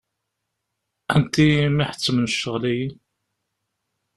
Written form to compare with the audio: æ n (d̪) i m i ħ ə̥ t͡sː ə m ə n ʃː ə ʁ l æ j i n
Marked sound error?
yes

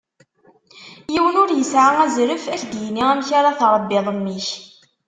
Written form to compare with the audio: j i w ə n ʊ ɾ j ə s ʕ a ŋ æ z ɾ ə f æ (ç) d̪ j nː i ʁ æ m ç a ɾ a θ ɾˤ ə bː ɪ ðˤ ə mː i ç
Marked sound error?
no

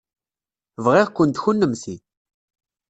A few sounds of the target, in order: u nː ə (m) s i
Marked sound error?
no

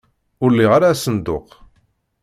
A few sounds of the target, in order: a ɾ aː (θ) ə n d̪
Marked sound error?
yes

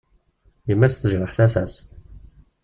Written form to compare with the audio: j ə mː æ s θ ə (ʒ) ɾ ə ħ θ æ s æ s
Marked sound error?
no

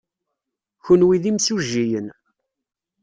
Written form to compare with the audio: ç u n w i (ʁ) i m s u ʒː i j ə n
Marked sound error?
yes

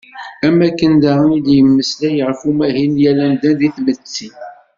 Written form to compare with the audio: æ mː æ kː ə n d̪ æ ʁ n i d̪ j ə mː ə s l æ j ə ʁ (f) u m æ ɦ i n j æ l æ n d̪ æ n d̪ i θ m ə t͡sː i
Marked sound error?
no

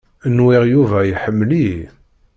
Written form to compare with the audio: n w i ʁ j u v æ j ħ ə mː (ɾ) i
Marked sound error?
yes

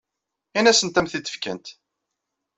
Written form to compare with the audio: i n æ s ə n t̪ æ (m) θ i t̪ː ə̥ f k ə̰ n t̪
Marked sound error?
no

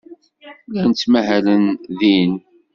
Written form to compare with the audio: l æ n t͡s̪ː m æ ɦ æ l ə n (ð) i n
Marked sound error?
no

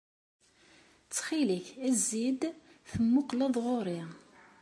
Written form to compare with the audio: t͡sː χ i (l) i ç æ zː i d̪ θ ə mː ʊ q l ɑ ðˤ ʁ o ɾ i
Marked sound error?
no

